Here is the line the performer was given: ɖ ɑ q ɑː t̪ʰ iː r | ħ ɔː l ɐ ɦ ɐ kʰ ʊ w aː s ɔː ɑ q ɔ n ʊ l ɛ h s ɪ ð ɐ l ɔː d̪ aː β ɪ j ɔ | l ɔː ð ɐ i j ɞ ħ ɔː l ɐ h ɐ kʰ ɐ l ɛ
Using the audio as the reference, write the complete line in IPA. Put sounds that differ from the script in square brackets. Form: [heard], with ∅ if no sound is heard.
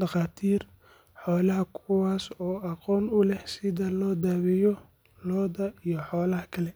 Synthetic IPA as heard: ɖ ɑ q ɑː t̪ʰ iː r | ħ ɔː l ɐ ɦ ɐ kʰ ʊ w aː s ɔː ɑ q [ɔː] n ʊ l ɛ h s ɪ ð ɐ l ɔː d̪ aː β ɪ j ɔ | l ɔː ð ɐ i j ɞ ħ ɔː l ɐ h ɐ kʰ ɐ l ɛ